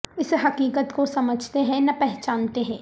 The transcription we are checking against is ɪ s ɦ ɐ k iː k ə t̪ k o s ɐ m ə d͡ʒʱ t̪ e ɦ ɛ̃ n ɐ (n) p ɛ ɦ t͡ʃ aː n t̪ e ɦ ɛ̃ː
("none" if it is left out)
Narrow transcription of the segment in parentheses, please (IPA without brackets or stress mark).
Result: none